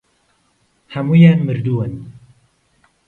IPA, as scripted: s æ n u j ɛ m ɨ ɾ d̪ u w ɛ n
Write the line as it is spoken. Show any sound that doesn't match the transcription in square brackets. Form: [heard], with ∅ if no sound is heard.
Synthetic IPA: [h] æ [m] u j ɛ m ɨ ɾ d̪ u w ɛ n